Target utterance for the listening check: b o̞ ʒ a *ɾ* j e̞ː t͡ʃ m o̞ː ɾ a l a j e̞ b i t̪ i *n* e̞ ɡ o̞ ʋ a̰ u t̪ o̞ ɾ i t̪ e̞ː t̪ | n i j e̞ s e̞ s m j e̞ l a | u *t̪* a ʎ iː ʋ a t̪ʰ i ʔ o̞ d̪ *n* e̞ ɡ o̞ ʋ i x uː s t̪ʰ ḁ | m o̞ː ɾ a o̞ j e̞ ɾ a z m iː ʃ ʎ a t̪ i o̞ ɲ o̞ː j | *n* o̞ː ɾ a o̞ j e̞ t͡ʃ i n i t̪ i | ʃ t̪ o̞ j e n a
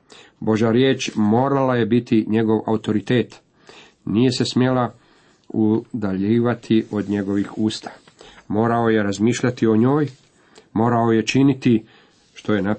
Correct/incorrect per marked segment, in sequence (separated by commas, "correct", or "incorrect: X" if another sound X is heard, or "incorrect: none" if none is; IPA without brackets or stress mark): correct, incorrect: ɲ, incorrect: d̪, incorrect: ɲ, incorrect: m